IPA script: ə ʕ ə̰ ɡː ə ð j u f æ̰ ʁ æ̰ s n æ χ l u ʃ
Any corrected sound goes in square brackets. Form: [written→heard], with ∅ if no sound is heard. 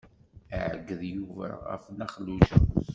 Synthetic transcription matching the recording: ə ʕ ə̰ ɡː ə ð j u [f→v] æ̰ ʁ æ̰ [s→f] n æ χ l u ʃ